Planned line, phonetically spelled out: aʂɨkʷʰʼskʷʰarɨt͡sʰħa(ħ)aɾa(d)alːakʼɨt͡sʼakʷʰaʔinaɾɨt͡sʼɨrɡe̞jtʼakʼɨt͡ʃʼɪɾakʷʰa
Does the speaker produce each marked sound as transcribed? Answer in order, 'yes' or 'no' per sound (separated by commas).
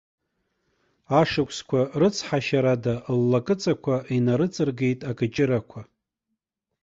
no, yes